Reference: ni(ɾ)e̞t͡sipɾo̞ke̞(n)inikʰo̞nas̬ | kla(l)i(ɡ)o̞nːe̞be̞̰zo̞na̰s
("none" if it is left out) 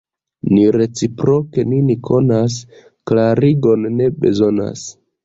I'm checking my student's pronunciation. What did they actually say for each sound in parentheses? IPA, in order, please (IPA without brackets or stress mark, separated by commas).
ɾ, n, ɾ, ɡ